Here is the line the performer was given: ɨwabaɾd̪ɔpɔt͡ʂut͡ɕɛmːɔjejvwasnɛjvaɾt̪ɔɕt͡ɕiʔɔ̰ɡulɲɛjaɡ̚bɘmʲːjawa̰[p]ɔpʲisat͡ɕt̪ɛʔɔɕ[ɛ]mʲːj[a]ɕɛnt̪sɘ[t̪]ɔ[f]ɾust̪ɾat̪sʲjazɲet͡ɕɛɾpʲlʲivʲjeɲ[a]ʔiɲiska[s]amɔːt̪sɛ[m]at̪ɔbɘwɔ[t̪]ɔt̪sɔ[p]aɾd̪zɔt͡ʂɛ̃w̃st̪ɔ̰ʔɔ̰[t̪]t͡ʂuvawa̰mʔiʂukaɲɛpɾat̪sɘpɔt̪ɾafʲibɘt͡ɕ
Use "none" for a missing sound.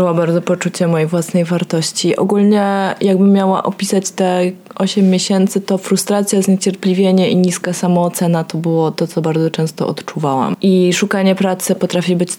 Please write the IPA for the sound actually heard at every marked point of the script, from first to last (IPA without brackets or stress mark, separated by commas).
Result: ʔ, ɛ, e, t̪, f, ɛ, s, n, t̪, b, t̪